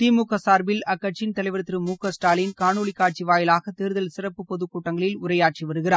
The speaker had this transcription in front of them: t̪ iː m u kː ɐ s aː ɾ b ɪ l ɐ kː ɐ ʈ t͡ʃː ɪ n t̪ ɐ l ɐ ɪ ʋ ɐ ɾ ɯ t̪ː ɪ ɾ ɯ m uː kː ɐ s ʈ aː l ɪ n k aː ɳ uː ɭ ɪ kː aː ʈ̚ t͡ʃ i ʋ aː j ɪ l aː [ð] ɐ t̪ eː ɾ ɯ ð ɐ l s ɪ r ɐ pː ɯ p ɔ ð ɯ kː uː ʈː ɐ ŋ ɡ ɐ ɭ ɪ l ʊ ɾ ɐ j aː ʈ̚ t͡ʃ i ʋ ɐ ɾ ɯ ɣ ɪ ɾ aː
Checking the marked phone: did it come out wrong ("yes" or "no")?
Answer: yes